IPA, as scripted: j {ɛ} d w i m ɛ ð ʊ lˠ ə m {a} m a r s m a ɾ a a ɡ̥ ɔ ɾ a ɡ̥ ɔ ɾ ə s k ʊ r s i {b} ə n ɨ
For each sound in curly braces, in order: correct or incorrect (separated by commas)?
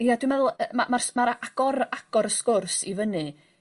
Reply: incorrect, correct, incorrect